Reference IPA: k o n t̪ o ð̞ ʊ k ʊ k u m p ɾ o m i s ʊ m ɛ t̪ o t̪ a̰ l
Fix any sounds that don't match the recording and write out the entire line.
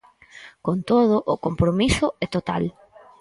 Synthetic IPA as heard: k o n t̪ o ð̞ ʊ ʔ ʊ k o m p ɾ o m i s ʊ ɛ t̪ o t̪ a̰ l